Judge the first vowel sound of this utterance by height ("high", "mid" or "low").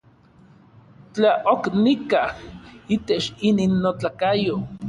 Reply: low